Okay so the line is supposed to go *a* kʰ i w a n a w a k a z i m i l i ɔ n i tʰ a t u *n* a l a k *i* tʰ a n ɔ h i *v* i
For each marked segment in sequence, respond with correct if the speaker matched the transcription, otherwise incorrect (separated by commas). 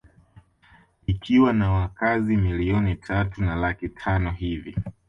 incorrect, correct, correct, correct